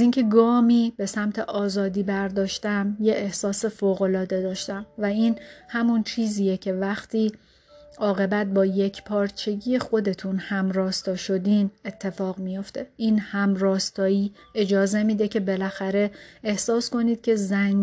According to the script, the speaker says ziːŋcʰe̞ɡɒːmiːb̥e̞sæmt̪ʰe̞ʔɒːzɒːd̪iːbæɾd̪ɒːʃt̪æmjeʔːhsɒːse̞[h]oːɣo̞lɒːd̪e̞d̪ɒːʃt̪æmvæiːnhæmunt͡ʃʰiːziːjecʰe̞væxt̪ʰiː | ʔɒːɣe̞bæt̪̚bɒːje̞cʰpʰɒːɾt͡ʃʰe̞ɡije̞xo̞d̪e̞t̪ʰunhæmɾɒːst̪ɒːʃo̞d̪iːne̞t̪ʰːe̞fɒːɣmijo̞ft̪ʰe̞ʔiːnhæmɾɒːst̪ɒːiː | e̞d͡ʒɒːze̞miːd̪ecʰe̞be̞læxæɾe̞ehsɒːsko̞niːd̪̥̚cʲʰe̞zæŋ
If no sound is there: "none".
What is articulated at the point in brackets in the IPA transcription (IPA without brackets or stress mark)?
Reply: f